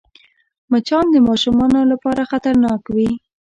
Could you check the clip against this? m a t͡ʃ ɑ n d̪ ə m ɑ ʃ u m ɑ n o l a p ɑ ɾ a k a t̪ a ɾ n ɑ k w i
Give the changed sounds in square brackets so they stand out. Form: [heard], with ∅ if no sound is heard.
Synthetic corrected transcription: m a t͡ʃ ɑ n d̪ ə m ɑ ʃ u m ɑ n o l a p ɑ ɾ a [x] a t̪ a ɾ n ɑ k w i